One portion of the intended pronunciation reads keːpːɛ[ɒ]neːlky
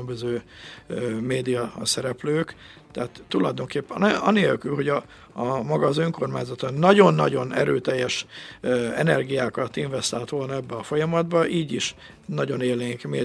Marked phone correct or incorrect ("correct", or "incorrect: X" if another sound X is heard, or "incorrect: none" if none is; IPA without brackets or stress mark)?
correct